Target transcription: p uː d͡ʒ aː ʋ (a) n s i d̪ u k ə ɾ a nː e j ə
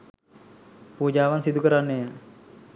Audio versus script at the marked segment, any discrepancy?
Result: no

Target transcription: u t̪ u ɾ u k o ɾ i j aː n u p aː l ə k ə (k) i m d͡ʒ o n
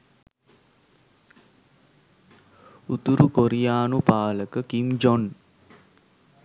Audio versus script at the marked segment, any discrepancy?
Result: no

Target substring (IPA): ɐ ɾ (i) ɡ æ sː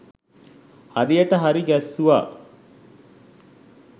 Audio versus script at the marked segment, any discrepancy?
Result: no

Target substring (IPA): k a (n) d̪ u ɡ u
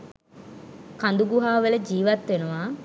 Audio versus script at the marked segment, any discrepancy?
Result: no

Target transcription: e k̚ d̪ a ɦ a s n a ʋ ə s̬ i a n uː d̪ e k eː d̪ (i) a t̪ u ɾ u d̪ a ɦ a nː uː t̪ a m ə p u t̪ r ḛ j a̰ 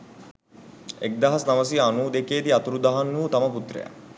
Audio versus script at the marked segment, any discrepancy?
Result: no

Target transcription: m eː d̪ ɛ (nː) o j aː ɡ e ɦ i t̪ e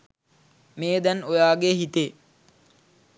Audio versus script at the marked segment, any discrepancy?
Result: yes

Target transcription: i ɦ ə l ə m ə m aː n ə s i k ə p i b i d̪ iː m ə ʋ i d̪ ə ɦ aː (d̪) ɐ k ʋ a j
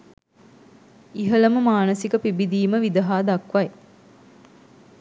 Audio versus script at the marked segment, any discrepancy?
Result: no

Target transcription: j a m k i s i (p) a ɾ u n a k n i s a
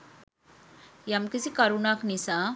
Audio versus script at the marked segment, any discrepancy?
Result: yes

